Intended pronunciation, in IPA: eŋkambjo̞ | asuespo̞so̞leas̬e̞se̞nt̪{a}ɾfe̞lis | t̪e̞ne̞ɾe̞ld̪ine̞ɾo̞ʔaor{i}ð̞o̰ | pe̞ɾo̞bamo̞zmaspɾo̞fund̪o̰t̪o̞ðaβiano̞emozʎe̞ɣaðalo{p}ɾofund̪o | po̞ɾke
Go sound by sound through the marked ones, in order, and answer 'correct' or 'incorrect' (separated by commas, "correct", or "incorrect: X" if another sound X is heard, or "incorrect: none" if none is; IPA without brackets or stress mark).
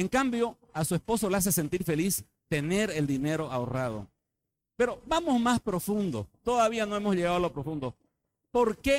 incorrect: i, incorrect: a, correct